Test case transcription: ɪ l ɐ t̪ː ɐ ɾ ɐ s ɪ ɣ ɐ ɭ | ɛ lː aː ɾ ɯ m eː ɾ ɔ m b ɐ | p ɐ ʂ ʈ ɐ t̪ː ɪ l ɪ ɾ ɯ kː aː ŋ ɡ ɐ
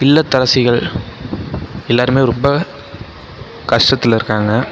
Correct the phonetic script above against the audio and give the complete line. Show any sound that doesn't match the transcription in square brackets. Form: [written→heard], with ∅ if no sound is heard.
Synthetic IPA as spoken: ɪ [l→lː] ɐ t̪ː ɐ ɾ ɐ s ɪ ɣ ɐ ɭ | ɛ lː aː ɾ ɯ m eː ɾ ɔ m b ɐ | [p→k] ɐ ʂ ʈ ɐ t̪ː ɪ l ɪ ɾ ɯ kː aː ŋ ɡ ɐ